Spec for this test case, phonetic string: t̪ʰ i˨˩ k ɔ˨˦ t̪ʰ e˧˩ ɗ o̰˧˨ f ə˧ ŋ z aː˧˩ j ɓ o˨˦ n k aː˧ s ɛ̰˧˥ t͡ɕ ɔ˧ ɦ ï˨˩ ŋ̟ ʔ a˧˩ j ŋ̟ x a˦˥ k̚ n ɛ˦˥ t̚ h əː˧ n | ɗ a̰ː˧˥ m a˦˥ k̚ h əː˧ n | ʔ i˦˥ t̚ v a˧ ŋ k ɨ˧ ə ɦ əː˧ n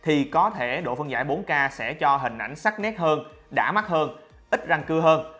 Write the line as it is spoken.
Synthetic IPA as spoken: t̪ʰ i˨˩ k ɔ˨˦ t̪ʰ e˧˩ ɗ o̰˧˨ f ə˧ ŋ z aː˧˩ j ɓ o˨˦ n k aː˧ s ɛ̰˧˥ t͡ɕ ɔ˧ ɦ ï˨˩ ŋ̟ ʔ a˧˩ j ŋ̟ s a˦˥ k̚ n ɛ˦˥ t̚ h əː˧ n | ɗ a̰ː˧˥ m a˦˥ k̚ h əː˧ n | ʔ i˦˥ t̚ z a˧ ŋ k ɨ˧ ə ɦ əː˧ n